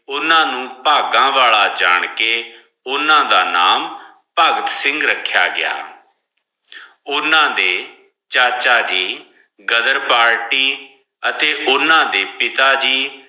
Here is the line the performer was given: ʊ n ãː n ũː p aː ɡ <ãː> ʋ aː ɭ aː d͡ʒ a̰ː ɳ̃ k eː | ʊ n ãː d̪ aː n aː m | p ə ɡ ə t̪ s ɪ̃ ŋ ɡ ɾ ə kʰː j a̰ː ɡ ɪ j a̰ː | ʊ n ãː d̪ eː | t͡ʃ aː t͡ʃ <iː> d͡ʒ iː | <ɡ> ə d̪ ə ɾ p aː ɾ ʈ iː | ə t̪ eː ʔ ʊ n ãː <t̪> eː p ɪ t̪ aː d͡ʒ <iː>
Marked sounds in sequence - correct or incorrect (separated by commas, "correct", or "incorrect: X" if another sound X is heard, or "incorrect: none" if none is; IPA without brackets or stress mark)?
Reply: correct, incorrect: aː, correct, incorrect: d̪, correct